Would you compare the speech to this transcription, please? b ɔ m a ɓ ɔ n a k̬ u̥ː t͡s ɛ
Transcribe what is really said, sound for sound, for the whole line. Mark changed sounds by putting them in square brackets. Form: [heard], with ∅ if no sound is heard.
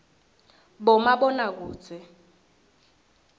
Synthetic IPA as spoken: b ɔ m a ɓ ɔ n a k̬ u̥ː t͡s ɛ

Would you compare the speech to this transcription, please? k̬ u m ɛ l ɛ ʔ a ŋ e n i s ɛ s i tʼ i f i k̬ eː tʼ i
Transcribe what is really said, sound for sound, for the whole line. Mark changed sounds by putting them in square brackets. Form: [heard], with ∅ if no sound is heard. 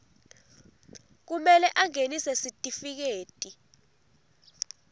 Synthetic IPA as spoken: k̬ u m ɛ l ɛ ʔ a ŋ e n i s ɛ s i tʼ i f i k̬ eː tʼ i

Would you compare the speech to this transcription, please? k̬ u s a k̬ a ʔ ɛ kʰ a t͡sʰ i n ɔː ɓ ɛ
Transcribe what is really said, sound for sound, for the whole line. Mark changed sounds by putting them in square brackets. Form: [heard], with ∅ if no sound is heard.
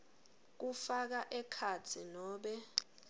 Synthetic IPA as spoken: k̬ u [f] a k̬ a ʔ ɛ kʰ a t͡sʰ i n ɔː ɓ ɛ

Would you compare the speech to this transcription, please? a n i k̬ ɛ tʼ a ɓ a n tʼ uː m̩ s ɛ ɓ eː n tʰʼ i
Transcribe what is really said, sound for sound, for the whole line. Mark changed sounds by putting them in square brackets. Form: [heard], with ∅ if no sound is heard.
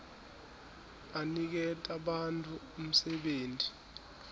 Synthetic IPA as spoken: a n i k̬ ɛ tʼ a ɓ a n tʼ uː m̩ s ɛ ɓ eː n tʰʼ i

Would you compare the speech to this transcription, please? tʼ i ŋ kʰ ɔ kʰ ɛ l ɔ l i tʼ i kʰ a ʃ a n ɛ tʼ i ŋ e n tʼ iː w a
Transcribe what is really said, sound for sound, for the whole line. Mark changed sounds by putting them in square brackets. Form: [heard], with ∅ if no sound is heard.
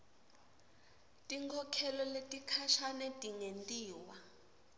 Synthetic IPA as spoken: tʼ i ŋ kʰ ɔ kʰ ɛ l ɔ l [e] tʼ i kʰ a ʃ a n ɛ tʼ i ŋ e n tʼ iː w a

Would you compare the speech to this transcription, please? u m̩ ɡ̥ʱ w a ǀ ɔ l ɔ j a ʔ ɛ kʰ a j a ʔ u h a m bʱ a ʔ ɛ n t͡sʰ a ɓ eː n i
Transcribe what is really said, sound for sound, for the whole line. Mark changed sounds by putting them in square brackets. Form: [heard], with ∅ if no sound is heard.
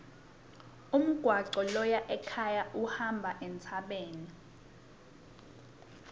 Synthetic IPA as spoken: u m̩ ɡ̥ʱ w a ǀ ɔ l ɔ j a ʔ ɛ kʰ a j a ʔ u h a m bʱ a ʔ ɛ n t͡sʰ a ɓ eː n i

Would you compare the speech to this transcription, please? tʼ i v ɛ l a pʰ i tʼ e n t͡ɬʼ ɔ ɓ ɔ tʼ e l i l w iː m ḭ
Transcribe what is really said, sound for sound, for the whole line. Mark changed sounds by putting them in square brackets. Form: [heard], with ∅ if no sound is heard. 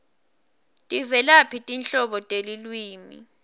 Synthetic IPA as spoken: tʼ i v ɛ l a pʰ i tʼ [i] n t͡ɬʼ ɔ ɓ ɔ tʼ e l i l w iː m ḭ

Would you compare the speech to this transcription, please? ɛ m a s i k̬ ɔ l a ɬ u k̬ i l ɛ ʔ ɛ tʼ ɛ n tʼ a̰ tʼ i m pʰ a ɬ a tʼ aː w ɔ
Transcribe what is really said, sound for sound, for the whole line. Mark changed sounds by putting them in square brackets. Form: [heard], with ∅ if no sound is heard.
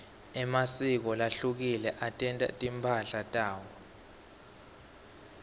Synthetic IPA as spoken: ɛ m a s i k̬ ɔ l a ɬ u k̬ i l ɛ ʔ [a] tʼ ɛ n tʼ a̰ tʼ i m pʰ a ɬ a tʼ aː w ɔ

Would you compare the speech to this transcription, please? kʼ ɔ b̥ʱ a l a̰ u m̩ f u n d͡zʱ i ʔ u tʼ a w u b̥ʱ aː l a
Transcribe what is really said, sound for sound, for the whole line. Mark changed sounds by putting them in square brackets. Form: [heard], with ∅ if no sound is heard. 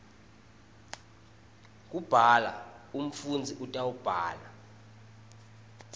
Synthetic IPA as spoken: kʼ [u] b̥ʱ a l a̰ u m̩ f u n d͡zʱ i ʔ u tʼ a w u b̥ʱ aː l a

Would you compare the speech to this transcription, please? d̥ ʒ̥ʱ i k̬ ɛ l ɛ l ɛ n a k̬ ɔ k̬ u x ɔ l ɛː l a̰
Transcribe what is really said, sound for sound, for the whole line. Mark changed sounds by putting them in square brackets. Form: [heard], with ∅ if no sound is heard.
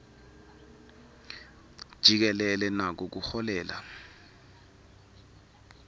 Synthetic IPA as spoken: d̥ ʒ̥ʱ i k̬ ɛ l ɛ l ɛ n a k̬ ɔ k̬ u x ɔ l ɛː l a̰

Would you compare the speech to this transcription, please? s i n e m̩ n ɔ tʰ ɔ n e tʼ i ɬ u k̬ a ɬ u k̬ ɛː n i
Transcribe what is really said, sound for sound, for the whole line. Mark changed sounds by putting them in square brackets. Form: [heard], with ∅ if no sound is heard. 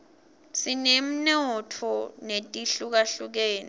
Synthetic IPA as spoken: s i n e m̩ n ɔ tʰ ɔ n e tʼ i ɬ u k̬ a ɬ u k̬ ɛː n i

